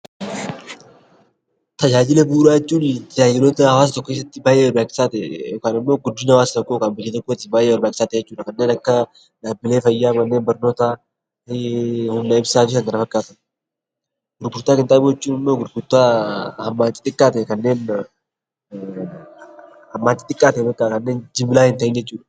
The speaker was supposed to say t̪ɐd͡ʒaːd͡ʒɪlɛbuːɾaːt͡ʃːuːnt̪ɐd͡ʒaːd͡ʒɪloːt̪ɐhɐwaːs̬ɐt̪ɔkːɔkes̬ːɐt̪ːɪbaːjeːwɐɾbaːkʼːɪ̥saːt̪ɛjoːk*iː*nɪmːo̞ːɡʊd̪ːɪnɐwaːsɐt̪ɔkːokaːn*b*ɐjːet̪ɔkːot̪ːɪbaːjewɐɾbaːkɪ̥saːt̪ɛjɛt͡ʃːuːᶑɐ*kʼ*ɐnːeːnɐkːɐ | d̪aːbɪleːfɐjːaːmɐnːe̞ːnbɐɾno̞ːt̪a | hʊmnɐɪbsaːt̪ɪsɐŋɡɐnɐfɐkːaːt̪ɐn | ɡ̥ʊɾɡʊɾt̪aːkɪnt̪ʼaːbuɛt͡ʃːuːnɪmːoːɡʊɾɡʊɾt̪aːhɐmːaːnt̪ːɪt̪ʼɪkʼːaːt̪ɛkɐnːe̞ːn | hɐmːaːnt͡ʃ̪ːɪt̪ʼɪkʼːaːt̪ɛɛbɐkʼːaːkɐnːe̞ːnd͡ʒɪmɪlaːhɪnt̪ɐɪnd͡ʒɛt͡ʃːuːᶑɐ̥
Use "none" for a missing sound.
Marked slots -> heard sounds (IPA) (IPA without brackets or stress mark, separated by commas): aː, b, k